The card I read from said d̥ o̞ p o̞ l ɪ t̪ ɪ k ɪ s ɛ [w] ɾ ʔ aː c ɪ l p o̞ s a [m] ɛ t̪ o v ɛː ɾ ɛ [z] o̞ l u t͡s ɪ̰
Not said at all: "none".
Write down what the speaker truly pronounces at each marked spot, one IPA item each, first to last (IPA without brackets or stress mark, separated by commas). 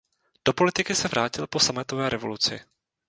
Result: v, m, v